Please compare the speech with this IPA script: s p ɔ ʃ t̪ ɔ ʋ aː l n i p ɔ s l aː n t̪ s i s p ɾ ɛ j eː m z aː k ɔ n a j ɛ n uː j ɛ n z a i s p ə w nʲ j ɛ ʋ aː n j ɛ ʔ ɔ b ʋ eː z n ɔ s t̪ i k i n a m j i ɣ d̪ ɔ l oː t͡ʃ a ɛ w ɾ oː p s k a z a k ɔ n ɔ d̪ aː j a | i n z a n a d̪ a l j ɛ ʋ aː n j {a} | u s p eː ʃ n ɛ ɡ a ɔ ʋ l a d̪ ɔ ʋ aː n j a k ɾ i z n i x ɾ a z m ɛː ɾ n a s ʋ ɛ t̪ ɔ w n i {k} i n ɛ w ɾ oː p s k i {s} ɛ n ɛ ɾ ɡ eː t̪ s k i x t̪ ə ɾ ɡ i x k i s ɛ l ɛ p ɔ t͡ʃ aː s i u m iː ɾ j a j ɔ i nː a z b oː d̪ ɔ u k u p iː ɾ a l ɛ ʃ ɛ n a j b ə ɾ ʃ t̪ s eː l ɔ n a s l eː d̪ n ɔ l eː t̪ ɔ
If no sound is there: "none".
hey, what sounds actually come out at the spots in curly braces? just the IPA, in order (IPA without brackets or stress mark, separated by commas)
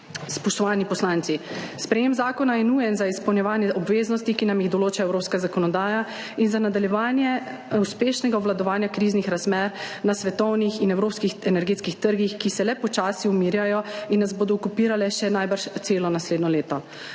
ɛ, x, x